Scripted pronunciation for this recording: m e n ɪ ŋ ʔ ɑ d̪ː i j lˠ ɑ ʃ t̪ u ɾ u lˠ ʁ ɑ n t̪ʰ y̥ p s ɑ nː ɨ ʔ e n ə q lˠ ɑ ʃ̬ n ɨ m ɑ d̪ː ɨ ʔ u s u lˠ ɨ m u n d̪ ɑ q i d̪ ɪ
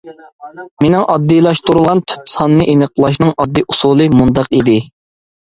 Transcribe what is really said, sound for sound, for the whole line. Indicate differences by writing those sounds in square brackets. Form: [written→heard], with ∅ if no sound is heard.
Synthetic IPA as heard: m e n ɪ ŋ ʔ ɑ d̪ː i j lˠ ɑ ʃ t̪ u ɾ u lˠ ʁ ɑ n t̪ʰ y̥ p s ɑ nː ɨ ʔ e n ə q lˠ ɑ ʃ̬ n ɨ [m→ŋ] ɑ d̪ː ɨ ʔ u s u lˠ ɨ m u n d̪ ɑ q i d̪ ɪ

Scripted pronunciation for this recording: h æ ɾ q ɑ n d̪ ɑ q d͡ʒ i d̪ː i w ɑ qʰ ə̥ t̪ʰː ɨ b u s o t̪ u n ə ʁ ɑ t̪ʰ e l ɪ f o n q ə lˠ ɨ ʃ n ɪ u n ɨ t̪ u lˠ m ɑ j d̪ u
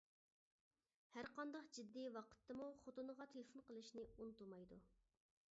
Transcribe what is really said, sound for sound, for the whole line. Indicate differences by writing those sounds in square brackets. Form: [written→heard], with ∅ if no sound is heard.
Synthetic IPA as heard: h æ ɾ q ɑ n d̪ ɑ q d͡ʒ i d̪ː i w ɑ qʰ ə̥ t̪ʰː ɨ [b→m] u [s→χ] o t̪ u n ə ʁ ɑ t̪ʰ e l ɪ f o n q ə lˠ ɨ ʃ n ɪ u n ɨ t̪ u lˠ m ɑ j d̪ u

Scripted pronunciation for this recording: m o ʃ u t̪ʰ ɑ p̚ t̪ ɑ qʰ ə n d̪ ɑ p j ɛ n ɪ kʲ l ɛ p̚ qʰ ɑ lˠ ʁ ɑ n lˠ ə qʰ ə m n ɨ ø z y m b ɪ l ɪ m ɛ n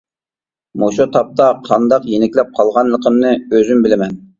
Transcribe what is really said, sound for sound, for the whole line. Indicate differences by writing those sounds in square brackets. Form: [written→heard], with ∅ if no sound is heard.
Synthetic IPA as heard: m o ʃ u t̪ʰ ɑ p̚ t̪ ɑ qʰ [ə→ɑ] n d̪ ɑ [p→q] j [ɛ→e] n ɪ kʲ l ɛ p̚ qʰ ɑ lˠ ʁ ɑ n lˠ ə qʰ ə m n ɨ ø z y m b ɪ l ɪ m ɛ n

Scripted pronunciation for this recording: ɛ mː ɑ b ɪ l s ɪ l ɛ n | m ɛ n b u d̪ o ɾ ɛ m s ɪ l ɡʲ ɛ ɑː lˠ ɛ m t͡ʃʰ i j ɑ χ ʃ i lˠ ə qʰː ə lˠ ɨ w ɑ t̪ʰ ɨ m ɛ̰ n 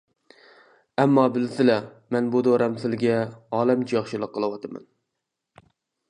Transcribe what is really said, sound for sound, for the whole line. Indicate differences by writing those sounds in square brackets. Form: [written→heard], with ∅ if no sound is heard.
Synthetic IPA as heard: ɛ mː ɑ b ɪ l s ɪ l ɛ [n→∅] | m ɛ n b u d̪ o ɾ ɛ m s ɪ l ɡʲ ɛ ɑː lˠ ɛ m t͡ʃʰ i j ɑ χ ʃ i lˠ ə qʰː ə lˠ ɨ w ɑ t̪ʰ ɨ m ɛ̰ n

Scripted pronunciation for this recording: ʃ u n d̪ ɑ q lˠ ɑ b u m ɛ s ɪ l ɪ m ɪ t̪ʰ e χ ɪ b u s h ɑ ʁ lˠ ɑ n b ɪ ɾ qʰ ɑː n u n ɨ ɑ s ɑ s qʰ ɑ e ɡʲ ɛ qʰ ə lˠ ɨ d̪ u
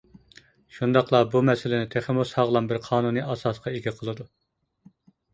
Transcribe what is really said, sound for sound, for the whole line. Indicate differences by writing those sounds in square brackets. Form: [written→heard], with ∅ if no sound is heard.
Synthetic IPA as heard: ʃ u n d̪ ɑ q lˠ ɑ b u m ɛ s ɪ l ɪ [m→n] ɪ t̪ʰ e χ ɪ [b→m] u s h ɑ ʁ lˠ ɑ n b ɪ ɾ qʰ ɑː n u n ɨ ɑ s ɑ s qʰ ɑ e ɡʲ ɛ qʰ ə lˠ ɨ d̪ u

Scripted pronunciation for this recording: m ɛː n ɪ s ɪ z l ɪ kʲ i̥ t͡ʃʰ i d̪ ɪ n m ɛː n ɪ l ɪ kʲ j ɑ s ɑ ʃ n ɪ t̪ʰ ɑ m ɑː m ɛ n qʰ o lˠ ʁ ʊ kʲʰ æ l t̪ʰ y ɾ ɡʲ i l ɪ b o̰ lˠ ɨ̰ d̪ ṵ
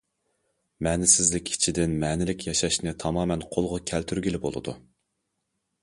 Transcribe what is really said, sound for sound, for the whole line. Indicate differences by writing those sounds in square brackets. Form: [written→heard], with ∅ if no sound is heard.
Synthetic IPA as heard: m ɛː n ɪ s ɪ z l ɪ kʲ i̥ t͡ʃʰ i d̪ ɪ n m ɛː n ɪ l ɪ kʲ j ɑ [s→ʃ] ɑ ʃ n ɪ t̪ʰ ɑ m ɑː m ɛ n qʰ o lˠ ʁ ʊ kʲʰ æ l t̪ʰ y ɾ ɡʲ i l ɪ b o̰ lˠ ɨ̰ d̪ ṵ

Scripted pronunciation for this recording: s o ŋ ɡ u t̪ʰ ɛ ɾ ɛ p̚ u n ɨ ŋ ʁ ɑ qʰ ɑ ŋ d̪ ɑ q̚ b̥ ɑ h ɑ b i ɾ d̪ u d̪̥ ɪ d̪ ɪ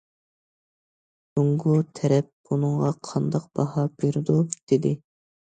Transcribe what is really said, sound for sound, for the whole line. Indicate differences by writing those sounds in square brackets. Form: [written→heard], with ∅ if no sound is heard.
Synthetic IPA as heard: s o ŋ ɡ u t̪ʰ ɛ ɾ ɛ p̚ u n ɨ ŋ ʁ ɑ qʰ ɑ [ŋ→n] d̪ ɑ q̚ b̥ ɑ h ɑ b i ɾ d̪ u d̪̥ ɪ d̪ ɪ

